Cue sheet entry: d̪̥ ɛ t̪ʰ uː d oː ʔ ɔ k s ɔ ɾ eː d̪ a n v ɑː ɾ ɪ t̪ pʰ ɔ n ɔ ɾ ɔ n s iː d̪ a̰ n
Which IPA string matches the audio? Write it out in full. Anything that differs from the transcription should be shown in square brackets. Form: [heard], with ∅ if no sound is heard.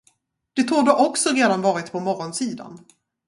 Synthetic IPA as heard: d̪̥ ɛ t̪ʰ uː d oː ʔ ɔ k s ɔ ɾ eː d̪ a n v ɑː ɾ ɪ t̪ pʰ ɔ [m] ɔ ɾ ɔ n s iː d̪ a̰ n